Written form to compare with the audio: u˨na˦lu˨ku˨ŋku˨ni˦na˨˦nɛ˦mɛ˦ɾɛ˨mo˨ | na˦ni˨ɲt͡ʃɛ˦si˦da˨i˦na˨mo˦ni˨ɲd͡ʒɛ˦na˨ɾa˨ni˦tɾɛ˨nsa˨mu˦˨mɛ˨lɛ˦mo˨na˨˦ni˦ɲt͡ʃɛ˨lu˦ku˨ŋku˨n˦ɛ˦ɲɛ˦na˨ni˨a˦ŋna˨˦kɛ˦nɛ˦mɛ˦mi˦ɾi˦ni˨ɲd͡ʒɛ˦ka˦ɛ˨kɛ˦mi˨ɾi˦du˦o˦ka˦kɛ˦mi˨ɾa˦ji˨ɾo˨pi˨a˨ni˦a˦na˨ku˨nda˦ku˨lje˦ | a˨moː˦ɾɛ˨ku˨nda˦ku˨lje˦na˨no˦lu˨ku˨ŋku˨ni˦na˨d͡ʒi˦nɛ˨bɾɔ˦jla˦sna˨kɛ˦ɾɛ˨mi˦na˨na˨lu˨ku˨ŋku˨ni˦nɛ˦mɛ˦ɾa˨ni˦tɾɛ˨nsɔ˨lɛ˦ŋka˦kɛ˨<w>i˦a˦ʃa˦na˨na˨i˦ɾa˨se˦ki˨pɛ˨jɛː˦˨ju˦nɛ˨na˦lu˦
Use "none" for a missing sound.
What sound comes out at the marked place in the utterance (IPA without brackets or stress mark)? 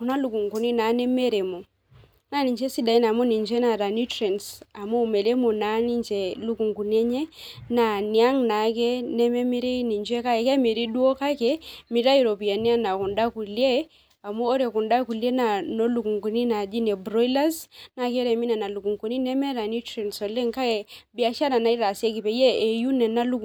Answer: b